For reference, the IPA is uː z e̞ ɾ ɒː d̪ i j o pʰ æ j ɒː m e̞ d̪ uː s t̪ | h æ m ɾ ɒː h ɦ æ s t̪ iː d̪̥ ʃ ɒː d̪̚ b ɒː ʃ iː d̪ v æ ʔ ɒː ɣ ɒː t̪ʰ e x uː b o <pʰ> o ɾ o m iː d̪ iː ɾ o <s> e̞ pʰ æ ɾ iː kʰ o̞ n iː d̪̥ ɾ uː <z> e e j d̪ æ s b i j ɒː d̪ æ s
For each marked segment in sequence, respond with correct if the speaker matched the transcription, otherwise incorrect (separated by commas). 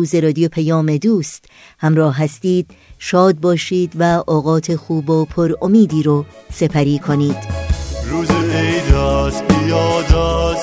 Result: correct, correct, correct